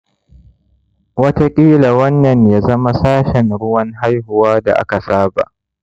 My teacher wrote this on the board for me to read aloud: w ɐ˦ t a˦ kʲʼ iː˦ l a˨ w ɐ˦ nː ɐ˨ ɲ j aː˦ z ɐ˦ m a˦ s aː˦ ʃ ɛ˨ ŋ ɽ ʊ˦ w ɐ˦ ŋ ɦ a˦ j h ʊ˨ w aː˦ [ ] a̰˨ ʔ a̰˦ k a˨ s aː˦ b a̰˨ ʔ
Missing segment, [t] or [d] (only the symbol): d